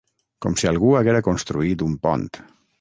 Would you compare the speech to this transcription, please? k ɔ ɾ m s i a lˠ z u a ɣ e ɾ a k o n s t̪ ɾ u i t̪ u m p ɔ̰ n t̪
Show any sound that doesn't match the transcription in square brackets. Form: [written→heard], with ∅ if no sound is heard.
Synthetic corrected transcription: k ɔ [ɾ→∅] m s i a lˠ [z→ɣ] u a ɣ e ɾ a k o n s t̪ ɾ u i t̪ u m p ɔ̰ n t̪